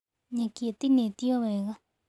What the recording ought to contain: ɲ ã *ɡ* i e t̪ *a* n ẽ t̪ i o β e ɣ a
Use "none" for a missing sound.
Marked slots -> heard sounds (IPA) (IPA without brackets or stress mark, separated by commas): k, i